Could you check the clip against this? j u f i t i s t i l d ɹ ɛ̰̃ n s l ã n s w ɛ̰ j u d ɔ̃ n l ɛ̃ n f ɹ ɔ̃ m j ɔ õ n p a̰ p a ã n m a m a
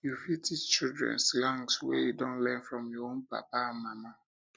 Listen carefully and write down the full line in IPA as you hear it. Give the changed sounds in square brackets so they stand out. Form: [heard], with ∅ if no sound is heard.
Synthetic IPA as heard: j u f i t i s [t͡ʃ] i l d ɹ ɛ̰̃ n s l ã [ŋ] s w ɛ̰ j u d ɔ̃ n l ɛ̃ n f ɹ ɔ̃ m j ɔ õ n p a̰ p a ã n m a m a